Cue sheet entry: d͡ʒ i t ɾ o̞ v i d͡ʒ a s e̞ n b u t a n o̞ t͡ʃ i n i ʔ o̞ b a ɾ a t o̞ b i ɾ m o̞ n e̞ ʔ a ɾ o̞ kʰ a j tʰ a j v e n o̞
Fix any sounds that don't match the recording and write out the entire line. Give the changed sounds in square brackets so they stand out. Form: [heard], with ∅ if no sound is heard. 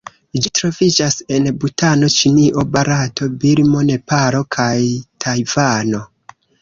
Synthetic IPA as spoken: d͡ʒ i t ɾ o̞ v i d͡ʒ a s e̞ n b u t a n o̞ t͡ʃ i n i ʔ o̞ b a ɾ a t o̞ b i ɾ m o̞ n e̞ [p] a ɾ o̞ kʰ a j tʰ a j v [a] n o̞